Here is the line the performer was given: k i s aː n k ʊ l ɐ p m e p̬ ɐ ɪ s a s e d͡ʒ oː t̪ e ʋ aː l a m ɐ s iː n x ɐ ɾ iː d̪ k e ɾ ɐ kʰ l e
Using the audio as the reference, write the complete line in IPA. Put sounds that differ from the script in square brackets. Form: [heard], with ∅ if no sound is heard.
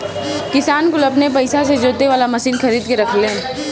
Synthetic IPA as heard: k [ɪ] s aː n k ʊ l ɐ p [n] e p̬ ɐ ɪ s a s e d͡ʒ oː t̪ e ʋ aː l a m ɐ s iː n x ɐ ɾ iː d̪ k e ɾ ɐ kʰ l e